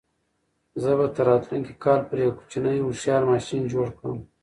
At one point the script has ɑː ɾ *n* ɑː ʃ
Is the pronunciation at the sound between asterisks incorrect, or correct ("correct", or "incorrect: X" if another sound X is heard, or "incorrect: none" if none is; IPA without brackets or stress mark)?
incorrect: m